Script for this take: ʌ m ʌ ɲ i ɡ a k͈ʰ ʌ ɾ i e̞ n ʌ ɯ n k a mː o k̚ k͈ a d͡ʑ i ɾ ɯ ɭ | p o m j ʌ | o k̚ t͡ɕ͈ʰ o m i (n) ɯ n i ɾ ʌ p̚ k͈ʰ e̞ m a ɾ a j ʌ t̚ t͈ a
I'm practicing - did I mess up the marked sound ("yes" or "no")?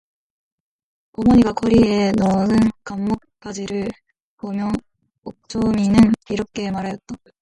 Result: no